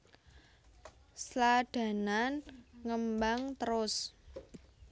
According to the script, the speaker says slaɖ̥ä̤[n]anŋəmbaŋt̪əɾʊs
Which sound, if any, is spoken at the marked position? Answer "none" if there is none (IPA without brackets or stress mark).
n